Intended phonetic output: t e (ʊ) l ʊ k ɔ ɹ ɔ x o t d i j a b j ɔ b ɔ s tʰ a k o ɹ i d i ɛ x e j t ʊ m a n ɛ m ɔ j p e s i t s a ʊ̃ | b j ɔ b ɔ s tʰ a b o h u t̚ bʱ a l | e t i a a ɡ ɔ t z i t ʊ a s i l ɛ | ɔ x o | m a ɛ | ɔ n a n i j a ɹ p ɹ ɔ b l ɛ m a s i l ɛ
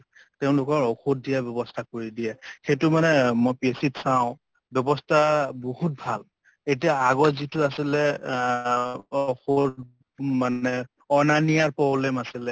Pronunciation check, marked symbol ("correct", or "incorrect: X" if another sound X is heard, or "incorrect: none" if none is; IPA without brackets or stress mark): incorrect: ʊ̃